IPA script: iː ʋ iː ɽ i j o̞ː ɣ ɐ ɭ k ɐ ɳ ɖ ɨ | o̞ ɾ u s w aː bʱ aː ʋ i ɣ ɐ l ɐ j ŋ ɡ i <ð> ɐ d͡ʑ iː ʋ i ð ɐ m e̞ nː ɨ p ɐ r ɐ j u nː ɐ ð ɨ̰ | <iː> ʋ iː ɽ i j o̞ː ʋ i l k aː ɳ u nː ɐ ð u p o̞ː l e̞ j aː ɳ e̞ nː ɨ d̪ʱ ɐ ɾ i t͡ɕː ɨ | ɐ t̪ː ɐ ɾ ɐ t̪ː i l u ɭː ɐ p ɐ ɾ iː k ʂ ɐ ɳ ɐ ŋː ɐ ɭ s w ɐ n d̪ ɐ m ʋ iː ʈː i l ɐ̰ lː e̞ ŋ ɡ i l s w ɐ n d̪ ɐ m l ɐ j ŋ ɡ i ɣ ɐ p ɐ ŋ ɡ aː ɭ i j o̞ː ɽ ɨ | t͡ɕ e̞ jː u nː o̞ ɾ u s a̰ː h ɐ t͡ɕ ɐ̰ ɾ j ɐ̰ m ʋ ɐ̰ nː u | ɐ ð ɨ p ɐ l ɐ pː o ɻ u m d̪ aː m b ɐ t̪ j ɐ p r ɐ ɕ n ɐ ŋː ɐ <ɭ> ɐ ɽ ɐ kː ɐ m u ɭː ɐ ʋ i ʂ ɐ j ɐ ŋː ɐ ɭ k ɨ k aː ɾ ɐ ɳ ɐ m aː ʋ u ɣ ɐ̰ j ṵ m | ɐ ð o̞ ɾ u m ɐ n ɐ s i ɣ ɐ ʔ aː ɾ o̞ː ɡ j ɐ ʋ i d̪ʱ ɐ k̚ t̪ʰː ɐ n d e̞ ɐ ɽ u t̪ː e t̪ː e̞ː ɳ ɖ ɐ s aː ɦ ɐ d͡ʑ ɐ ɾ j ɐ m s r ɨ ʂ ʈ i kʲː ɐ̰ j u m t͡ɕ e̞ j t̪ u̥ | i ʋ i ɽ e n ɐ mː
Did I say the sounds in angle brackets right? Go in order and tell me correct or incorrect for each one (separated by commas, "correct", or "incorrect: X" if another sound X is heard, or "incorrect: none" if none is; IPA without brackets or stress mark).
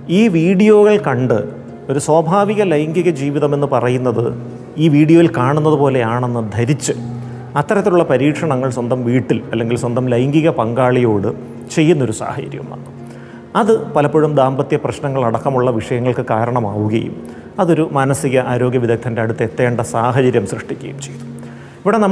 incorrect: ɣ, correct, correct